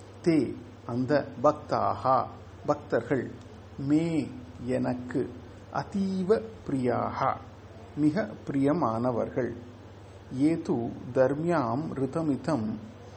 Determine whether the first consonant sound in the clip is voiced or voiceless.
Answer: voiceless